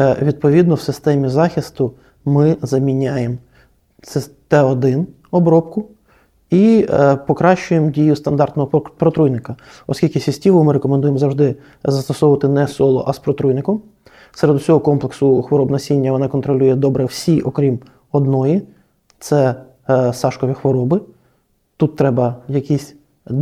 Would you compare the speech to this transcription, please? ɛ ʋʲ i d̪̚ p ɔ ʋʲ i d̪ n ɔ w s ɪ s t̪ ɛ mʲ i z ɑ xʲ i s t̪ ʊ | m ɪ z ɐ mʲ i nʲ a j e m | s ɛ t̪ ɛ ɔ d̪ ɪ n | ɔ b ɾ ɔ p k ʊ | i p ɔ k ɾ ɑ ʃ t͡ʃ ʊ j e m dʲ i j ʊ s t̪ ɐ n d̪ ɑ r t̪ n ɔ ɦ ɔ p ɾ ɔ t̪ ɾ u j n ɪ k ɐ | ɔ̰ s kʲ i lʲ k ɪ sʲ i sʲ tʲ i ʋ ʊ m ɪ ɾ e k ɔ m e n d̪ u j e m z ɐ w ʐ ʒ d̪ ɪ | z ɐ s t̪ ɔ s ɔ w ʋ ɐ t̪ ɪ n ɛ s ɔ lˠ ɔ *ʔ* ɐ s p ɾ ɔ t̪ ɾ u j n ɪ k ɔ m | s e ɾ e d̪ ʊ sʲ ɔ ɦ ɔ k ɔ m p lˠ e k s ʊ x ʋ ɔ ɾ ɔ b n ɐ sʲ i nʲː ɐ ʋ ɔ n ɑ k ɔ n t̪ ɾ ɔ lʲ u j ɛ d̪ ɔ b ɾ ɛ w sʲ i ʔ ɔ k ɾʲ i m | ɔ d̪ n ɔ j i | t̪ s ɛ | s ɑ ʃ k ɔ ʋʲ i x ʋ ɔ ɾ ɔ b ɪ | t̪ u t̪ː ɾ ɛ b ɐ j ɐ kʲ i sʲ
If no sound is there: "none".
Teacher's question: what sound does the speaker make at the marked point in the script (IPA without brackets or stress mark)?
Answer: ʔ